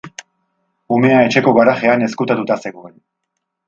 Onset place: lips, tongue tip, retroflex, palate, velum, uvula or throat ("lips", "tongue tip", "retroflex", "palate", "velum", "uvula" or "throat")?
lips